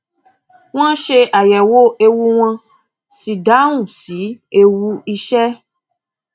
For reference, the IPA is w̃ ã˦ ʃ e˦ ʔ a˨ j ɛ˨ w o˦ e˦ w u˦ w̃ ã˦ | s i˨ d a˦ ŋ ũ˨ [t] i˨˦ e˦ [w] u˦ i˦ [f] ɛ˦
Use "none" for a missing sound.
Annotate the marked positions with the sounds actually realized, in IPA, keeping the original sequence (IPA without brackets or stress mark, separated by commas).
s, w, ʃ